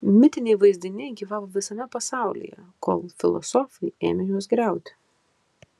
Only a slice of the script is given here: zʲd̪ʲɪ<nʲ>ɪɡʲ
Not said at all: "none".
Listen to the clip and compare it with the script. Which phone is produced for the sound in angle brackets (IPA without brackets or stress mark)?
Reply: nʲ